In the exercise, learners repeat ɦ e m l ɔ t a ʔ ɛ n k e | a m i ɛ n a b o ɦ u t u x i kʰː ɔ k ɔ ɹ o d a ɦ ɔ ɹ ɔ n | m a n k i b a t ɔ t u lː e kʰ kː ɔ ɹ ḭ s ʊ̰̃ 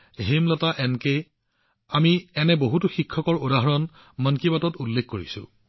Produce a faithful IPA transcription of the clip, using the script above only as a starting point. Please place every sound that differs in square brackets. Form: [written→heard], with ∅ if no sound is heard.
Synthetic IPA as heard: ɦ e m l ɔ t a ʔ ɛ n k e | a m i ɛ n [a→ɛ] b o ɦ u t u x i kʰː ɔ k ɔ ɹ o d a ɦ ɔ ɹ ɔ n | m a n k i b a t ɔ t u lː e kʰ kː [ɔ→o] ɹ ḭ s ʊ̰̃